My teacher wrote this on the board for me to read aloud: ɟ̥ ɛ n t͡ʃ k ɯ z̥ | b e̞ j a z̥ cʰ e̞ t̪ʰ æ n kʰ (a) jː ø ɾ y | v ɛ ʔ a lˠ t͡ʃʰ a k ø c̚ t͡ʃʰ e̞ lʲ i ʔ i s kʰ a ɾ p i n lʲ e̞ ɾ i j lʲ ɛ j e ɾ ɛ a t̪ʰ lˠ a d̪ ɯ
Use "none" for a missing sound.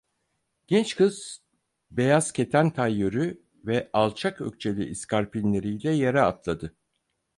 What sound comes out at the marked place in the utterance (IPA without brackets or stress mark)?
a